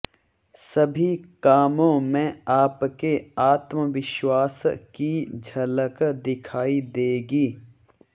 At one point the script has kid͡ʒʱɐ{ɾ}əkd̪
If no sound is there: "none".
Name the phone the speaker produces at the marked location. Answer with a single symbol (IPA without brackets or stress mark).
l